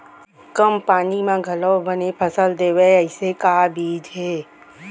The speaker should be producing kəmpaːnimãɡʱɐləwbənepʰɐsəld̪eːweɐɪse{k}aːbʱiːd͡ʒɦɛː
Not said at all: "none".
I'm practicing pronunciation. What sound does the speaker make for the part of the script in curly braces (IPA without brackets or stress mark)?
k